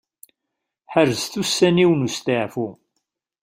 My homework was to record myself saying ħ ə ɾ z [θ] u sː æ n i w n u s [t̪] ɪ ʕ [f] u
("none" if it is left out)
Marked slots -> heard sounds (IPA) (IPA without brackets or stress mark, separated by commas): θ, t̪, f